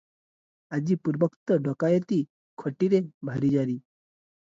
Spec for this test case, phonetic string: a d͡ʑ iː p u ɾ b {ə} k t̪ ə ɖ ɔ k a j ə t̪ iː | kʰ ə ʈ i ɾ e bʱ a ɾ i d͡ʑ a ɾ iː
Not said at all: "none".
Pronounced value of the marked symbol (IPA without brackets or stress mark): ə